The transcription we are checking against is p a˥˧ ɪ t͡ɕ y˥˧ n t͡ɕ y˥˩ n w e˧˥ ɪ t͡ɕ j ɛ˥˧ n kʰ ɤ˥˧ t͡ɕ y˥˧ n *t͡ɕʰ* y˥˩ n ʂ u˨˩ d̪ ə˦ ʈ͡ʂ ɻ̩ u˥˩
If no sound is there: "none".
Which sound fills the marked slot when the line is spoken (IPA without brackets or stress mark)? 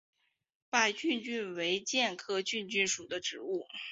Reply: t͡ɕ